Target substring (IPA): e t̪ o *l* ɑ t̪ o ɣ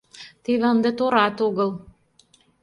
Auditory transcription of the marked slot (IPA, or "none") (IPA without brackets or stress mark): ɾ